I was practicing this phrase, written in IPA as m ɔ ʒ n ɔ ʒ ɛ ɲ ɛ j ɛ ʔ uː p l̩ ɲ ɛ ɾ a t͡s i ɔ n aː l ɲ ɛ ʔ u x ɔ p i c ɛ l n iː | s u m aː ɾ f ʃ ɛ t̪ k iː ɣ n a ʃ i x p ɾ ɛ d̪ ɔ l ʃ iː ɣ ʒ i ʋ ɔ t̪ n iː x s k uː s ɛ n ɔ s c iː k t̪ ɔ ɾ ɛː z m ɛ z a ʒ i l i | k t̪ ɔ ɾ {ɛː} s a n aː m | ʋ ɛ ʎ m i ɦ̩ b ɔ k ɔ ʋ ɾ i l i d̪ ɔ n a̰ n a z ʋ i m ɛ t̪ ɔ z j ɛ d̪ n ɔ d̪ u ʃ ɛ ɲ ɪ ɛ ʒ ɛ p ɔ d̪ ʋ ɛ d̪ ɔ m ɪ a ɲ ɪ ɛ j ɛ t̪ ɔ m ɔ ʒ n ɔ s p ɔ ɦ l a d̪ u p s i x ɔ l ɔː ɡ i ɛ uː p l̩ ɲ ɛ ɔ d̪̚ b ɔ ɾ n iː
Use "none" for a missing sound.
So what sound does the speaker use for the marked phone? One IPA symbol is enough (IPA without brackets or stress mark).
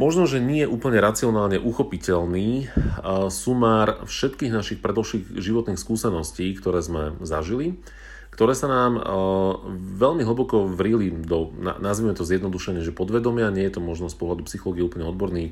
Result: ɛː